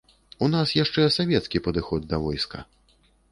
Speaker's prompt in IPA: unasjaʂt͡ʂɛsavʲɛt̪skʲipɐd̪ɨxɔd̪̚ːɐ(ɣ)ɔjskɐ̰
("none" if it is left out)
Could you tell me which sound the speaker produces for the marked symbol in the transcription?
v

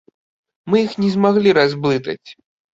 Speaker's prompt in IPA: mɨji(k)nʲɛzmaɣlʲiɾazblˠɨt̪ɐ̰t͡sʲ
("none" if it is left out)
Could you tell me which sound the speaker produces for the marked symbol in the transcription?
x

